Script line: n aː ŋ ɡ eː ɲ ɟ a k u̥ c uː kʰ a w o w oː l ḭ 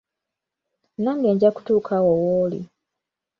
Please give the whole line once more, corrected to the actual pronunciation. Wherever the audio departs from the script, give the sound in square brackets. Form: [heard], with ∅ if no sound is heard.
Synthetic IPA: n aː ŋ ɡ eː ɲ ɟ a k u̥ [t] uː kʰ a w o w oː l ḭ